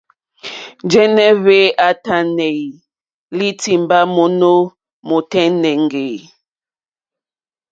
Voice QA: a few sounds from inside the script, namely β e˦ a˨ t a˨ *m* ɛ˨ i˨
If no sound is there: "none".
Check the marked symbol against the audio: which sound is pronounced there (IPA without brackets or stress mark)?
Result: n